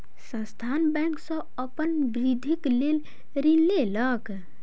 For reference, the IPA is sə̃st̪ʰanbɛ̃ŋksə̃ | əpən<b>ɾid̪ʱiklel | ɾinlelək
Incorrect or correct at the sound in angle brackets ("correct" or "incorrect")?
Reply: correct